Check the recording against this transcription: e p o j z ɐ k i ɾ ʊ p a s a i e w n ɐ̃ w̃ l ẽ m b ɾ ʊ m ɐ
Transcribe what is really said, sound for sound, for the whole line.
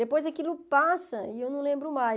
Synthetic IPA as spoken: e p o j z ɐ k i l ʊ p a s ɐ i e w n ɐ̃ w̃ l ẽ m b ɾ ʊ m a